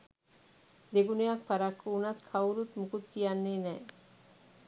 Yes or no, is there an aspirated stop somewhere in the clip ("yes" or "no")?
yes